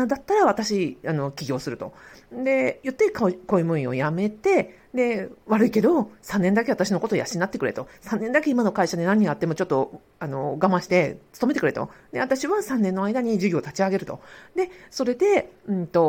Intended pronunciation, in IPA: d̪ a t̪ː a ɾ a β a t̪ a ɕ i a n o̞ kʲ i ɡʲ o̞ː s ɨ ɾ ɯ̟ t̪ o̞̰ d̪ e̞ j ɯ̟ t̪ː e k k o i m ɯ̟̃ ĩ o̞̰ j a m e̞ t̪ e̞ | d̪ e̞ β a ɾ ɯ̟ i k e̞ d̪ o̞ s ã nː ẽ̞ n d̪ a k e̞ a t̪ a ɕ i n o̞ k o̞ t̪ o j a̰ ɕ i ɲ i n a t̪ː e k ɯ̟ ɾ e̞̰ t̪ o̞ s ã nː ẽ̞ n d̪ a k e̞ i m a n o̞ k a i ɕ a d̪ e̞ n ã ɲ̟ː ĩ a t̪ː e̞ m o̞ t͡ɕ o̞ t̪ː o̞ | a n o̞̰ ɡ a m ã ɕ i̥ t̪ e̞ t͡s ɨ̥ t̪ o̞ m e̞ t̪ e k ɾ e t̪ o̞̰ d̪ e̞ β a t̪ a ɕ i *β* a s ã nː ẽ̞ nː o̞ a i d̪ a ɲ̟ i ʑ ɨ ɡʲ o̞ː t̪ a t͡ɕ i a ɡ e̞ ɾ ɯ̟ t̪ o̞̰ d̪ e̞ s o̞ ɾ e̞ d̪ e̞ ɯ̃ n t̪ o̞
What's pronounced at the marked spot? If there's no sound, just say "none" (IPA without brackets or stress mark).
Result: β